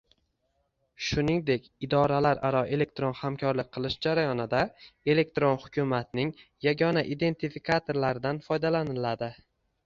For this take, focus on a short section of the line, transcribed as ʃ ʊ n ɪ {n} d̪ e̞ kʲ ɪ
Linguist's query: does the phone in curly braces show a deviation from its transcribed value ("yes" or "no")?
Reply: yes